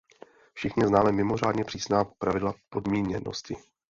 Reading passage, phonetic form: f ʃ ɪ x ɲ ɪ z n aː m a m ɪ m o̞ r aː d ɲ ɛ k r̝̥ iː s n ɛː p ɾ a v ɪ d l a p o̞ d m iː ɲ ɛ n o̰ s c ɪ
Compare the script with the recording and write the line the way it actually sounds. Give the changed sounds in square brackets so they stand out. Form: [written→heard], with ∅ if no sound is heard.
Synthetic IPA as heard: f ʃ ɪ x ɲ ɪ z n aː m [a→ɛ] m ɪ m o̞ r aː d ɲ ɛ [k→p] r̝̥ iː s n [ɛː→aː] p ɾ a v ɪ d l a p o̞ d m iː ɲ ɛ n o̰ s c ɪ